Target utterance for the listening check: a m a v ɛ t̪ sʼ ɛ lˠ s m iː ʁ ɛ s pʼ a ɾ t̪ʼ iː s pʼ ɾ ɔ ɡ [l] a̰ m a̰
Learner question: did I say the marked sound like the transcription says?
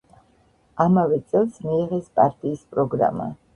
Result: no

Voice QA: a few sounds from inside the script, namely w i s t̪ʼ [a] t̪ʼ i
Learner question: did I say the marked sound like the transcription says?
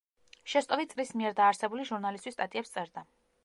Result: yes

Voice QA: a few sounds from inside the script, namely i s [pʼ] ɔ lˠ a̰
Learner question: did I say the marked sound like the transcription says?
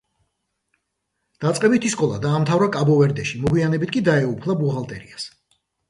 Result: no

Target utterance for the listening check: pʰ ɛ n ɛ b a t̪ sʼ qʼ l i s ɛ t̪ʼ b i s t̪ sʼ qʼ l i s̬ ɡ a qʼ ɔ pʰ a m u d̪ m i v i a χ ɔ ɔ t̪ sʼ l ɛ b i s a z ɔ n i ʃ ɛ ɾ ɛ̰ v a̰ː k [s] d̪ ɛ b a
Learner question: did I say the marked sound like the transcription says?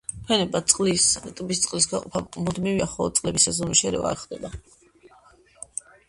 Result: no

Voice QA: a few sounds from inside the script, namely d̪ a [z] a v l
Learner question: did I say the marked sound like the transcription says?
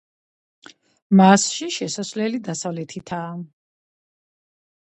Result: no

